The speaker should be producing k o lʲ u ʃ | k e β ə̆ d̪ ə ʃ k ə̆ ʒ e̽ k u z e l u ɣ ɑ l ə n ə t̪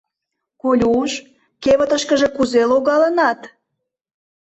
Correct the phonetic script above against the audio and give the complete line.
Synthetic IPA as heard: k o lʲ u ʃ | k e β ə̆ t̪ ə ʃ k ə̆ ʒ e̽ k u z e l o ɣ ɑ l ə n ɑ t̪